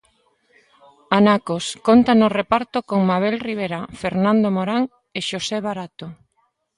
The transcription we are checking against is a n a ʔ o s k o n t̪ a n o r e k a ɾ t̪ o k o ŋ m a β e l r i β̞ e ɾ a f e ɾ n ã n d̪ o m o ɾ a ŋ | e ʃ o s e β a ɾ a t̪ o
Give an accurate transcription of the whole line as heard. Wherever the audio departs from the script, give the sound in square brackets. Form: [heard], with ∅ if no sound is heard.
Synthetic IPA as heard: a n a [k] o s k o n t̪ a n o r e [p] a ɾ t̪ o k o ŋ m a β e l r i β̞ e ɾ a f e ɾ n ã n d̪ o m o ɾ a ŋ | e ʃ o s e β a ɾ a t̪ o